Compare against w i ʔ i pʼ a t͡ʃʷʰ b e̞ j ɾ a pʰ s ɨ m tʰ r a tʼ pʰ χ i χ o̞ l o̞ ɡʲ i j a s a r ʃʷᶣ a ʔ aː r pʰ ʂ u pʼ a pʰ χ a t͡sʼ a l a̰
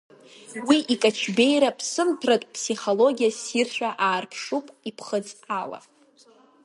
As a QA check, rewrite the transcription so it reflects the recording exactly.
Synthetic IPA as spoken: w i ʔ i kʼ a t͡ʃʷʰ b e̞ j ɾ a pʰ s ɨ m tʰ r a tʼ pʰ s i χ o̞ l o̞ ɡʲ i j a s i r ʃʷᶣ a ʔ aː r pʰ ʂ u pʼ i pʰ χ ə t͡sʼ a l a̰